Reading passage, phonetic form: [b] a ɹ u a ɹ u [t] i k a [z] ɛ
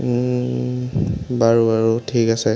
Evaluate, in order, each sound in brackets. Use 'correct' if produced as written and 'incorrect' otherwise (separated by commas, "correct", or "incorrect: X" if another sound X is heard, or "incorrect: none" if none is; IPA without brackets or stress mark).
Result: correct, incorrect: tʰ, incorrect: s